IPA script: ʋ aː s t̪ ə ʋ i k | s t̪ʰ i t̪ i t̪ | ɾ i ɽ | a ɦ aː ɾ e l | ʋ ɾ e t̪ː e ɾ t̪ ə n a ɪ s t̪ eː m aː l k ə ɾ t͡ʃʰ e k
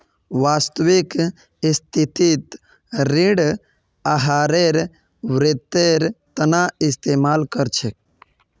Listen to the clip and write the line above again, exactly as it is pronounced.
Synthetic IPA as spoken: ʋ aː s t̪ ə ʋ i k | s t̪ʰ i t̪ i t̪ | ɾ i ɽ | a ɦ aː ɾ e ɾ | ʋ ɾ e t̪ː e ɾ t̪ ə n a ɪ s t̪ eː m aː l k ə ɾ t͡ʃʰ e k